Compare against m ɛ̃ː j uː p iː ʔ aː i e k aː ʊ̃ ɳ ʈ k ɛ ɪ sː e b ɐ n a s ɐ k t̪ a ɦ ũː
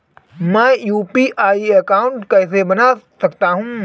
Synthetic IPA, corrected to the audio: m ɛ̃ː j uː p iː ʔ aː i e k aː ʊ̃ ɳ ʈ k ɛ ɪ s e b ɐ n a s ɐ k t̪ a ɦ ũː